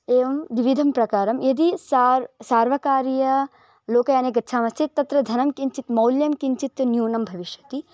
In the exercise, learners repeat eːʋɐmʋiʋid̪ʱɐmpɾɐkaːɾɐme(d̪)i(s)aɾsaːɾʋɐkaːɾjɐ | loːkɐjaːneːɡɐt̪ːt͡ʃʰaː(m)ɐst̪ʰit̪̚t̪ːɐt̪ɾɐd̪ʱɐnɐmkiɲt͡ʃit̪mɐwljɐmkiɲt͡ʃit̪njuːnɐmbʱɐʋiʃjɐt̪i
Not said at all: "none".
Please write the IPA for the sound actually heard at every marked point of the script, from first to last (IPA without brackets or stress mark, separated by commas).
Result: d̪, s, m